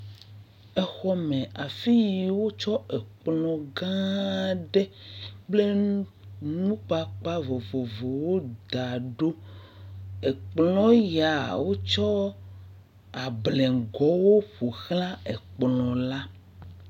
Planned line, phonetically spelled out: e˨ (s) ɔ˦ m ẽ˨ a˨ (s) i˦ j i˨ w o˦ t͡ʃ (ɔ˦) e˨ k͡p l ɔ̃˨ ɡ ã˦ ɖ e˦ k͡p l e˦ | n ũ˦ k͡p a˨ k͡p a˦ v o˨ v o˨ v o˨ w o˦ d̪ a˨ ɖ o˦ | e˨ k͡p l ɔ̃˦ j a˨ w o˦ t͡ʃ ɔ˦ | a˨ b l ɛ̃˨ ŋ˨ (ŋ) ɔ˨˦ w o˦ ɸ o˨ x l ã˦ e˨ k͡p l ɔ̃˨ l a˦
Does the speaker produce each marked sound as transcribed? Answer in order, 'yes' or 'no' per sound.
no, no, yes, no

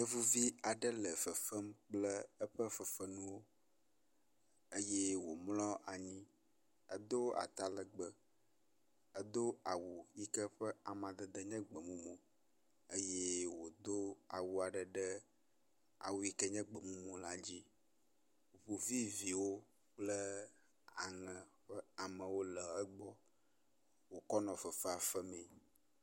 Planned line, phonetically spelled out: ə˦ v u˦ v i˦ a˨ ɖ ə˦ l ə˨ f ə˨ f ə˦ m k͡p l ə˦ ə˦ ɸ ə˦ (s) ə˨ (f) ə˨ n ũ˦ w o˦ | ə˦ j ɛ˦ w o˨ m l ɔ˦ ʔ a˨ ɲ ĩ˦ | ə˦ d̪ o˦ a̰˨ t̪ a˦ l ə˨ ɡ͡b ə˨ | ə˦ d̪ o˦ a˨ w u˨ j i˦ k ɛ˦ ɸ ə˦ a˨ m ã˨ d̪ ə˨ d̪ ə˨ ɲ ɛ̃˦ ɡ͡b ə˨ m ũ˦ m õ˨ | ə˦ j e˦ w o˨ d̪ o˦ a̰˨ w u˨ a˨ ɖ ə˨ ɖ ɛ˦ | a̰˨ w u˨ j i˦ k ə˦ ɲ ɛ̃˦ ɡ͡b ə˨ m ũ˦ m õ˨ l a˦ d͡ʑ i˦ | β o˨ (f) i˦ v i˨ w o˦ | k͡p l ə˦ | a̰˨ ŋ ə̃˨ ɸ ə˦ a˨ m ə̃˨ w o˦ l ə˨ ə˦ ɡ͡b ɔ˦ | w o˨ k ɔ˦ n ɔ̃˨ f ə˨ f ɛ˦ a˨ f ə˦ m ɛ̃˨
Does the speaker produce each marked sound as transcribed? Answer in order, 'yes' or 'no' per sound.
no, yes, no

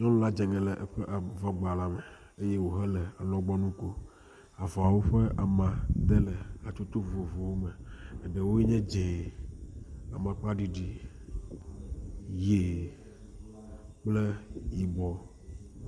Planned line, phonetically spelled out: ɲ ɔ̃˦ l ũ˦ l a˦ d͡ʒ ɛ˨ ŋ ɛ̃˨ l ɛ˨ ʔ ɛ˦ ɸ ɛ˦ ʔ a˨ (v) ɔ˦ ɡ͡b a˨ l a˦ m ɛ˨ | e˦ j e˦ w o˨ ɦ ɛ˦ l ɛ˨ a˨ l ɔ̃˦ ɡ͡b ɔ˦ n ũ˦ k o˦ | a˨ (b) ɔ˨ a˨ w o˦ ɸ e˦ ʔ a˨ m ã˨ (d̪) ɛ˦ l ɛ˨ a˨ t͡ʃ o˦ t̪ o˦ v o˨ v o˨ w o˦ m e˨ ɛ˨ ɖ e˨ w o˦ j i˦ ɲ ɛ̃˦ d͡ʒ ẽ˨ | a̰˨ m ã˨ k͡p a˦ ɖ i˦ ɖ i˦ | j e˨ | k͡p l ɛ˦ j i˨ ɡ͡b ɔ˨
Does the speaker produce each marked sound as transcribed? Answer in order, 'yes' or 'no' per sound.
yes, no, yes

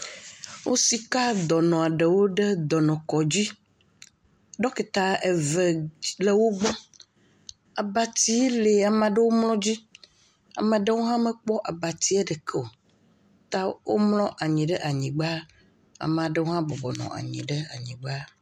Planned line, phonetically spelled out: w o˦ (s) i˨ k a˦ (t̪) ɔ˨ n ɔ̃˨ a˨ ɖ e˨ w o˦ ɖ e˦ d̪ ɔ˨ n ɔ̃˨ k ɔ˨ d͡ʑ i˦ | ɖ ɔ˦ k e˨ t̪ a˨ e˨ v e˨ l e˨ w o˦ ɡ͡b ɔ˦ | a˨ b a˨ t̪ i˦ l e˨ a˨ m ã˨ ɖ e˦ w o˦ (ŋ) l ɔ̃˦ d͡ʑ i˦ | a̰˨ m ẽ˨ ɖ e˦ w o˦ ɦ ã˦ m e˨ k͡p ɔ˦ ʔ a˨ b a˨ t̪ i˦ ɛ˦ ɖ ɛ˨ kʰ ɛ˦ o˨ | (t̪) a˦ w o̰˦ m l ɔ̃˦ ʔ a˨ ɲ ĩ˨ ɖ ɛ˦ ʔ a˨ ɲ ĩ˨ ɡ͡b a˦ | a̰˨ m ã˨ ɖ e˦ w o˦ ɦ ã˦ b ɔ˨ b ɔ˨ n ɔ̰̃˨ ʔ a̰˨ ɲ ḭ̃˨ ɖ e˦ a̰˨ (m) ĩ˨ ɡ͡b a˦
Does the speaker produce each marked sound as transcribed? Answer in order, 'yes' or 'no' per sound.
yes, no, no, yes, no

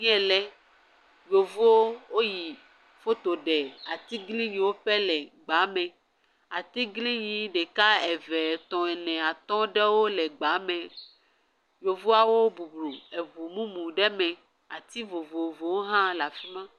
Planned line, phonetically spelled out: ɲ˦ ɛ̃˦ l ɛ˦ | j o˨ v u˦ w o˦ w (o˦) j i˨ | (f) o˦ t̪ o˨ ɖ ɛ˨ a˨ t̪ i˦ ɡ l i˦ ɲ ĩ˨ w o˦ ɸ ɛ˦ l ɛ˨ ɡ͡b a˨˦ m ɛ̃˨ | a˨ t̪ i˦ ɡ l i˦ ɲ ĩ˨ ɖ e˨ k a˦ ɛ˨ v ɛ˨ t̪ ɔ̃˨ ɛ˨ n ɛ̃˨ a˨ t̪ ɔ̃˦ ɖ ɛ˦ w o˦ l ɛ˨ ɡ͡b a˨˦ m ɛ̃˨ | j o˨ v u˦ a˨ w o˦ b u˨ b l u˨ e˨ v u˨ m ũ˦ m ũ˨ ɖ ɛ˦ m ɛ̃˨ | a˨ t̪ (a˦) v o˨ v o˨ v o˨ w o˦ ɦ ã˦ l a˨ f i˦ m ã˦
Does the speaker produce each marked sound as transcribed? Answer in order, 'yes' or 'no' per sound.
yes, yes, no

